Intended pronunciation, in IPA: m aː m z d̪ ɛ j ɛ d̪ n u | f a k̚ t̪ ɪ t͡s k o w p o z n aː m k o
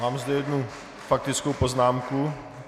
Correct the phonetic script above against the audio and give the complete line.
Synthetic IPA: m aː m z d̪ ɛ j ɛ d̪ n u | f a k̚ t̪ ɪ t͡s k o w p o z n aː m k u